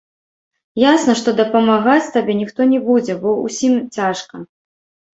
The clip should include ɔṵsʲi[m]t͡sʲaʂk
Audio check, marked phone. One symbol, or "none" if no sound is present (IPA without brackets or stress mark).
m